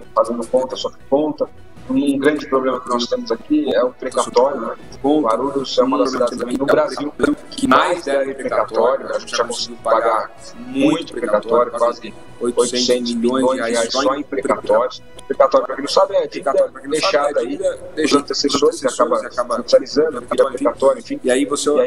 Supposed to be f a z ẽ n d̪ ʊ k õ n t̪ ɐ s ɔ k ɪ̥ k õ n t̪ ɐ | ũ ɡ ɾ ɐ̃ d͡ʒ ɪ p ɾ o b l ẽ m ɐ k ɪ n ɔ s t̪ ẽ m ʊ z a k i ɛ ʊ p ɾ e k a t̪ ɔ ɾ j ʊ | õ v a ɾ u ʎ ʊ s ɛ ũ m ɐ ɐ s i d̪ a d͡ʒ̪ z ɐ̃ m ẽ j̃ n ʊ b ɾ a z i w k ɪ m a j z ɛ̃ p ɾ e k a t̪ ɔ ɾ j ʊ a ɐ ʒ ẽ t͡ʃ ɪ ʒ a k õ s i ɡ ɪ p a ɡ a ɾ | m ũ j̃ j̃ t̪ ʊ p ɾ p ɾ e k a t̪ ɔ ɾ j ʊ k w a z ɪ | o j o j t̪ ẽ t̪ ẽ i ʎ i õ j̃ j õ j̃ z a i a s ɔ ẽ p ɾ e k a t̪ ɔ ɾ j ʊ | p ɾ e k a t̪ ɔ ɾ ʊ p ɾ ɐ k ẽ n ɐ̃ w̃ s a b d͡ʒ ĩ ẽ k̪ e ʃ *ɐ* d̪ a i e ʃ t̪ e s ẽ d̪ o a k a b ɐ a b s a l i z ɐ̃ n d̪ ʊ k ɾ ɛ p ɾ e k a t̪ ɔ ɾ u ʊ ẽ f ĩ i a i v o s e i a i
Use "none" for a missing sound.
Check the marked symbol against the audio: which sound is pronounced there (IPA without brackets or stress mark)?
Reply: a